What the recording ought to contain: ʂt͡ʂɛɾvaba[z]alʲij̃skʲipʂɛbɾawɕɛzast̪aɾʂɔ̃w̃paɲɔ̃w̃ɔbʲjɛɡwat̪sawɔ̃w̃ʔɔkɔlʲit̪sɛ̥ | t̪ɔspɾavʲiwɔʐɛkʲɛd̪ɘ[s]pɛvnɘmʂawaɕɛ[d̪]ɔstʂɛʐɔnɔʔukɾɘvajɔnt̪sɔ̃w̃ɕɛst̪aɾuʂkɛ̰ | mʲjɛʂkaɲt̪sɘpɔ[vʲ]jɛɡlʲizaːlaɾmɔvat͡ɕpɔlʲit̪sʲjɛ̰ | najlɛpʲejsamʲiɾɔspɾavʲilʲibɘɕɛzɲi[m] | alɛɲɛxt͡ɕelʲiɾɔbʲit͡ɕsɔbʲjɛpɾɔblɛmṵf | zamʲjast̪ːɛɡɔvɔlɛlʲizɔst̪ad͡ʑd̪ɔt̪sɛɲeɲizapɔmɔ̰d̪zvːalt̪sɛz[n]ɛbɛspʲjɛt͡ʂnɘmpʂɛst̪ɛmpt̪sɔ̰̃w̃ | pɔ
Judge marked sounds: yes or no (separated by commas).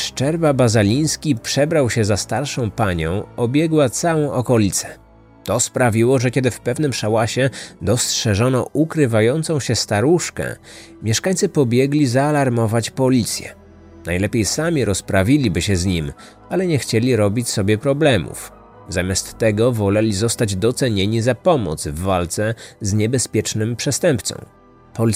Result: yes, no, yes, no, yes, no